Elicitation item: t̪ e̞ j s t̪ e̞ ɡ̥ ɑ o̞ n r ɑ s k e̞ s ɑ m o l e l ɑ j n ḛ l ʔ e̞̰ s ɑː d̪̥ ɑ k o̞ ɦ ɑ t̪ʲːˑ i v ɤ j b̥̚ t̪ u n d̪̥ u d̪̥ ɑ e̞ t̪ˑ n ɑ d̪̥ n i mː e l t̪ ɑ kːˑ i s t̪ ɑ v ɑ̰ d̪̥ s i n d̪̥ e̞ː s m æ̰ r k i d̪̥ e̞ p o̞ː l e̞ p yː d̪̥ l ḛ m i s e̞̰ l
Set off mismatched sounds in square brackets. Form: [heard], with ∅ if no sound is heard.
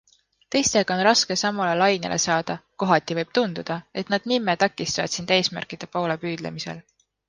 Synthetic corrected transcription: t̪ e̞ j s t̪ e̞ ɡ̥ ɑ o̞ n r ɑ s k e̞ s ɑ m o l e l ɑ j n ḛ l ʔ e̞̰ s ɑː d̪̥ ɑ k o̞ ɦ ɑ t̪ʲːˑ i v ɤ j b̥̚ t̪ u n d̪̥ u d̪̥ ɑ e̞ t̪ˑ n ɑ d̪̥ n i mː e [∅] t̪ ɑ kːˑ i s t̪ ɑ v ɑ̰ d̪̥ s i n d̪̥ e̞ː s m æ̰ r k i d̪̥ e̞ p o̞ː l e̞ p yː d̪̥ l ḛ m i s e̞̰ l